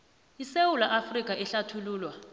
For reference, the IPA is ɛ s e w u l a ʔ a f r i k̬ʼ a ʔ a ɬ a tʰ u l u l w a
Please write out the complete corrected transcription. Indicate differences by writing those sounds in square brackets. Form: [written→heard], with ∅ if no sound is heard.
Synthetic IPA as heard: [ɛ→i] s e w u l a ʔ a f r i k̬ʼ a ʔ [a→ɛ] ɬ a tʰ u l [u→uː] l w a

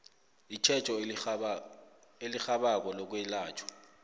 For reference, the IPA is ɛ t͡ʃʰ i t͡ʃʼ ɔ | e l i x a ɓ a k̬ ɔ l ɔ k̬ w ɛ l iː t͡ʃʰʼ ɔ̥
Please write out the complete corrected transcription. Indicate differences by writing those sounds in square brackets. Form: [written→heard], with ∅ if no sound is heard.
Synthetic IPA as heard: [ɛ→i] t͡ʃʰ [i→ɛ] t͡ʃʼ ɔ | e l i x a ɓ a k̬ ɔ l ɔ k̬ w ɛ l [iː→aː] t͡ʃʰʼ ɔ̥

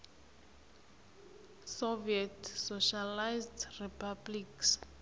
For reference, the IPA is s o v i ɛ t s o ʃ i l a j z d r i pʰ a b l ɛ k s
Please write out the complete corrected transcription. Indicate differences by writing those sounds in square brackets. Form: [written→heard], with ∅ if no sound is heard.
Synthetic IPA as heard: s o v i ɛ t s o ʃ [i→a] l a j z d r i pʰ a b l [ɛ→i] k s

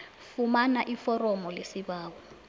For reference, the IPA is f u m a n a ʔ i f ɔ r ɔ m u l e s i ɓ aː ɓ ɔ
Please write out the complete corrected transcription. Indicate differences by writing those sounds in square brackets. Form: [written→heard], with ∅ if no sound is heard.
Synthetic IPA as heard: f u m a n a ʔ i f ɔ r ɔ m [u→ɔ] l e s i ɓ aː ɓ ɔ

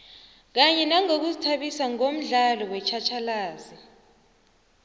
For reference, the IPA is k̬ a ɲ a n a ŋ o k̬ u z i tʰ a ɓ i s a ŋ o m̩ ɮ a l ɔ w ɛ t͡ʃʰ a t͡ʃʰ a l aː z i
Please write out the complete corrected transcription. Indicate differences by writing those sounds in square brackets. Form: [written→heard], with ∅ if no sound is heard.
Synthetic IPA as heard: k̬ a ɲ [a→ɛ] n a ŋ o k̬ u z i tʰ a ɓ i s a ŋ o m̩ ɮ a l ɔ w ɛ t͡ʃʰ a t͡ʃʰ a l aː z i

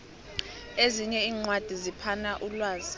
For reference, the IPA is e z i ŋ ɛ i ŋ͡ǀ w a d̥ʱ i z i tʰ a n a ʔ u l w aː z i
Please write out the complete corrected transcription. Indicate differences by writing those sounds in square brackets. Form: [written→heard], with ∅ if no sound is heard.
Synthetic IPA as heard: e z i [ŋ→ɲ] ɛ [i→iː] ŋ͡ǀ w a d̥ʱ i z i [tʰ→pʰ] a n a ʔ u l w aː z i

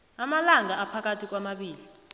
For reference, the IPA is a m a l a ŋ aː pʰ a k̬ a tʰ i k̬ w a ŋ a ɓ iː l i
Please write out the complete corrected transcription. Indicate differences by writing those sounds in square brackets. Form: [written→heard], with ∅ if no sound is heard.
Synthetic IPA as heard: a m a l a ŋ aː pʰ a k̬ a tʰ i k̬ w a [ŋ→m] a ɓ iː l i

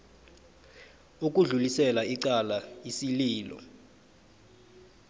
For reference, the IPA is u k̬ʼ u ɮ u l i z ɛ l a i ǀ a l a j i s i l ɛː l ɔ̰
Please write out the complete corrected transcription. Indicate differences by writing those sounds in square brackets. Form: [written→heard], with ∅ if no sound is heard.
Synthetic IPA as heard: u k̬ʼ u ɮ u l i [z→s] ɛ l a i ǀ a l a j i s i l [ɛː→iː] l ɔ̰

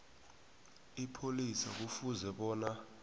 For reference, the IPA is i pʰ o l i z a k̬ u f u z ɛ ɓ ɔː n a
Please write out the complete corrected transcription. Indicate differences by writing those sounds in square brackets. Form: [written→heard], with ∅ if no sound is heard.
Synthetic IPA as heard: i pʰ o l i [z→s] a k̬ u f u z ɛ ɓ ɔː n a

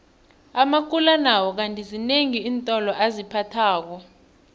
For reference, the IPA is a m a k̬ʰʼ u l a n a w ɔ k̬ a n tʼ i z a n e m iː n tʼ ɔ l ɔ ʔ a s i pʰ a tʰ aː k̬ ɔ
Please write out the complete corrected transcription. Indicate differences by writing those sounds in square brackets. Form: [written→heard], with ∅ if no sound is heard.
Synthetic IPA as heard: a m a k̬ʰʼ u l a n a w ɔ k̬ a n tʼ i z [a→i] n e [m→ŋ] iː n tʼ ɔ l ɔ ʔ a [s→z] i pʰ a tʰ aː k̬ ɔ

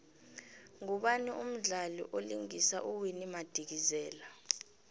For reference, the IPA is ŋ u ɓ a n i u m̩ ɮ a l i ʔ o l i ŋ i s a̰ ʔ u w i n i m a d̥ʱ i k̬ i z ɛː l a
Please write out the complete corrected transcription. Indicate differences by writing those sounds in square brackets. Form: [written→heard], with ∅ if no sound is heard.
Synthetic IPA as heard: ŋ u ɓ a n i u m̩ ɮ a l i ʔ o l i ŋ i s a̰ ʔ u w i n i m a d̥ʱ i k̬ i z ɛː l a

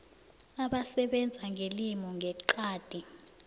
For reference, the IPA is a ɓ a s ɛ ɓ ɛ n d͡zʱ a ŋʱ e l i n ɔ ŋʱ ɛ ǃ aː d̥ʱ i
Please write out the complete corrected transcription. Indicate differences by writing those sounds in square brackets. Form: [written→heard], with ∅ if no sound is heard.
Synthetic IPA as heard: a ɓ a s ɛ ɓ ɛ n d͡zʱ a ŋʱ e l i [n→m] ɔ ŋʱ ɛ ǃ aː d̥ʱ i

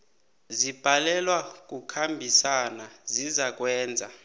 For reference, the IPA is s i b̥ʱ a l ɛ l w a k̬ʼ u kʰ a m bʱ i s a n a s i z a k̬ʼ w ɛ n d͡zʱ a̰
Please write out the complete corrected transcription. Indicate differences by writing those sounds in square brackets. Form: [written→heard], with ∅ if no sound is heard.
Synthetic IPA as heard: [s→z] i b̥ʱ a l ɛ l w a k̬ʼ u kʰ a m bʱ i s a n a [s→z] i z a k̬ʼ w [ɛ→ɛː] n d͡zʱ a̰

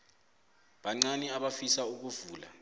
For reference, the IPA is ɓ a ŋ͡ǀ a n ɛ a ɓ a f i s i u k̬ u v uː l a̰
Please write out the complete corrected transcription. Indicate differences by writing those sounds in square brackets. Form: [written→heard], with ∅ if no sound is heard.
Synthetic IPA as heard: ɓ a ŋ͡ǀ a n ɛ a ɓ a f i s [i→a] u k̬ u v uː l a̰

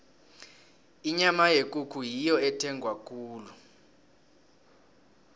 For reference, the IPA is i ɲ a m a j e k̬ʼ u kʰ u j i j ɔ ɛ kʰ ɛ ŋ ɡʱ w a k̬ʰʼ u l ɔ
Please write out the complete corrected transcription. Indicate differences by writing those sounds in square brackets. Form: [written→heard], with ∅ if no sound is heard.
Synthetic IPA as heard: i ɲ a m a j e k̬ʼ u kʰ u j i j ɔ ɛ [kʰ→tʰ] ɛ ŋ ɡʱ w a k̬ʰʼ [u→uː] l [ɔ→u]

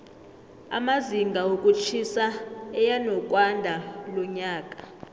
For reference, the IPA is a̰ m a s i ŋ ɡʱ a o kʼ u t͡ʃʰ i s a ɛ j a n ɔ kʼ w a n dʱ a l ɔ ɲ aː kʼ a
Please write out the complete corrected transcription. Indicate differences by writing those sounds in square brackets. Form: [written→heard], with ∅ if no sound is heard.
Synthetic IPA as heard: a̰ m a [s→z] i ŋ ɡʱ a o kʼ u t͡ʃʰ i s a ɛ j a n ɔ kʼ w a n dʱ a l ɔ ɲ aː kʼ a

